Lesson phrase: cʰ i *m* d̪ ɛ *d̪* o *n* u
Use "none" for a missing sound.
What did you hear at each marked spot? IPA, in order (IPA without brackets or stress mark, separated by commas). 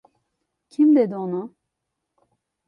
m, d̪, n